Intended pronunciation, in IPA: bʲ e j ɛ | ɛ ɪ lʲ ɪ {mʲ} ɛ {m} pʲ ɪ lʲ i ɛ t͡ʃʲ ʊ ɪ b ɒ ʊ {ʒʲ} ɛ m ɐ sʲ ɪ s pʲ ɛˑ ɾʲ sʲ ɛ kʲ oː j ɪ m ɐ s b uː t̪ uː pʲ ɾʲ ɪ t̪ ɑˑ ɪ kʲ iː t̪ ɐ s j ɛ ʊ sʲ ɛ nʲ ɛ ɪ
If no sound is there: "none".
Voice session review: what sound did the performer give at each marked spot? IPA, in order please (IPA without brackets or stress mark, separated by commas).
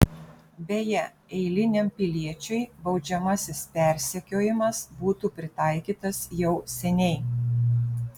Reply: nʲ, m, d͡ʒʲ